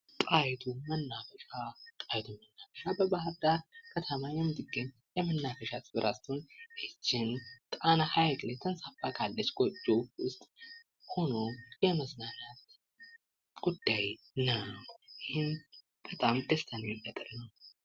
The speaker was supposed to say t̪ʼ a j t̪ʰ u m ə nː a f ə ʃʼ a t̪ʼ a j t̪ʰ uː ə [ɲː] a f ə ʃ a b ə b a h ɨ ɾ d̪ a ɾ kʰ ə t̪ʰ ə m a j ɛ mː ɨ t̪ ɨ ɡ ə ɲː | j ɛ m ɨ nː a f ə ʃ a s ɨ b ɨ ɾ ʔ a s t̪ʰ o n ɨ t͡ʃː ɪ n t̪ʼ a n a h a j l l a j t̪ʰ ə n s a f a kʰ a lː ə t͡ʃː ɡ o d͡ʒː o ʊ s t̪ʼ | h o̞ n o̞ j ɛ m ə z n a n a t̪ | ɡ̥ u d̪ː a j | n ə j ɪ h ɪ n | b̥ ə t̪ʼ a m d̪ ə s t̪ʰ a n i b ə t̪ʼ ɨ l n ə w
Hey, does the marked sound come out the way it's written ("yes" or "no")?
no